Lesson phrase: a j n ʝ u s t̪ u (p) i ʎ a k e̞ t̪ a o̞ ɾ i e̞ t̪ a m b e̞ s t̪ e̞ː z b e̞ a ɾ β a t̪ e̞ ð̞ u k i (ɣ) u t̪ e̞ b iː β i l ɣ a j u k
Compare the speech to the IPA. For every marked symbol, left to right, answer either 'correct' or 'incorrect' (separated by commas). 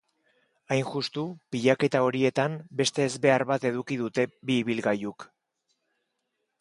correct, incorrect